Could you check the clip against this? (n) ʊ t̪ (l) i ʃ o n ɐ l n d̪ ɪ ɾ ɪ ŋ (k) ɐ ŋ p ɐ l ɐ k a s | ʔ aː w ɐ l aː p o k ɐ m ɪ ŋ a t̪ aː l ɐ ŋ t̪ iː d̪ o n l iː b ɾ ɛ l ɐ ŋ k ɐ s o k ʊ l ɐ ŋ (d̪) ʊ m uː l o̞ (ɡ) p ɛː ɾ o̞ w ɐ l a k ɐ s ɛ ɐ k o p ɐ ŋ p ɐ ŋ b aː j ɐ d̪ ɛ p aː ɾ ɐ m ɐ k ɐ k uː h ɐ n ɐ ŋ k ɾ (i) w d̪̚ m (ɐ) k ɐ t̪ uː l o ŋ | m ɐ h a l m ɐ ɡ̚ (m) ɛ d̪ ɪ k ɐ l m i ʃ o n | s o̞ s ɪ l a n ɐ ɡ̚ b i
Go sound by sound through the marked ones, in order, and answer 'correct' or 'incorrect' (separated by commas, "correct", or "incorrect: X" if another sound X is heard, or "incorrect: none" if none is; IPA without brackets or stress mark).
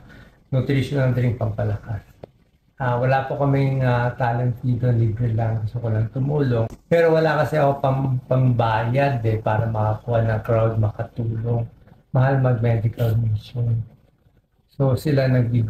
correct, incorrect: ɾ, incorrect: p, incorrect: t̪, incorrect: ŋ, incorrect: a, correct, correct